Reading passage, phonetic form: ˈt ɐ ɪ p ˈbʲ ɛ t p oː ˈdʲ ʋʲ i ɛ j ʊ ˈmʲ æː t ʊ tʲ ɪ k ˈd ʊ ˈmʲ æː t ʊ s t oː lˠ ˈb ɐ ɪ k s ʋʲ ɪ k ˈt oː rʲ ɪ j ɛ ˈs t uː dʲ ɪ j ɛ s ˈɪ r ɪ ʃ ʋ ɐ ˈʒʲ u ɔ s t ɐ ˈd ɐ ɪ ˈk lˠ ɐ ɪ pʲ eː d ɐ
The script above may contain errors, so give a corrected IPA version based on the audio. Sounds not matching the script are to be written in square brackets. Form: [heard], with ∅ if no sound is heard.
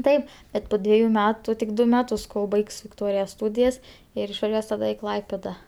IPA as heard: ˈt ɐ ɪ p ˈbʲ ɛ t p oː ˈdʲ ʋʲ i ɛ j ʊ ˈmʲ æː t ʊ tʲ ɪ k ˈd ʊ ˈmʲ æː t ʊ s [k] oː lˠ ˈb ɐ ɪ k s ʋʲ ɪ k ˈt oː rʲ ɪ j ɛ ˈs t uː dʲ ɪ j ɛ s ˈɪ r ɪ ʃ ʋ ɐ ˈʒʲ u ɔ s t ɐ ˈd ɐ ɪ ˈk lˠ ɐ ɪ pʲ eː d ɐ